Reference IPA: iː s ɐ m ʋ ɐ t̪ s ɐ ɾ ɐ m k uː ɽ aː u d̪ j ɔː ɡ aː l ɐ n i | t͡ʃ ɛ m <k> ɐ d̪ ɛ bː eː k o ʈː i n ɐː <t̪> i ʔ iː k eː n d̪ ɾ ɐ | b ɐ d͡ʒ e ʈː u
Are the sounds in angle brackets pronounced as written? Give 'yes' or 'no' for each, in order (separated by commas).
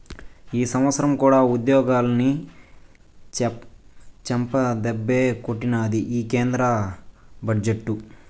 no, no